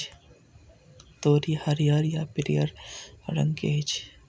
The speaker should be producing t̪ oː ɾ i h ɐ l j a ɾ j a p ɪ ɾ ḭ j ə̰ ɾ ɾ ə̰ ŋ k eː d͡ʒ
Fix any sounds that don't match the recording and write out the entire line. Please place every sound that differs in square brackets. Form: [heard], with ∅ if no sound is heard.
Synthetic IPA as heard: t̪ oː ɾ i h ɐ [ɾ] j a ɾ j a p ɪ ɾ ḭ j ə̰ ɾ ɾ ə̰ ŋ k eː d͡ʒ